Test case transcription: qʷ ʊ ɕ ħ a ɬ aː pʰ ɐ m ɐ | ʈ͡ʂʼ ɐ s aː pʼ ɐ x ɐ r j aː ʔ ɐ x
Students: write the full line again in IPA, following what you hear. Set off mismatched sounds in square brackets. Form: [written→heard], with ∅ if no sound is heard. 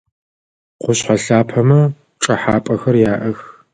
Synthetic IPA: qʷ ʊ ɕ ħ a ɬ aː pʰ ɐ m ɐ | ʈ͡ʂʼ ɐ [s→ħ] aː pʼ ɐ x ɐ r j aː ʔ ɐ x